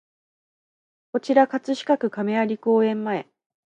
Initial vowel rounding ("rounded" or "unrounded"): rounded